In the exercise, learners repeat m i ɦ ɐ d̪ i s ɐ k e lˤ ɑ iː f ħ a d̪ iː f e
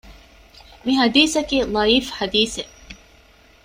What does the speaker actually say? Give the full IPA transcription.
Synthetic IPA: m i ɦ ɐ d̪ iː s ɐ k i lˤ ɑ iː f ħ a d̪ iː s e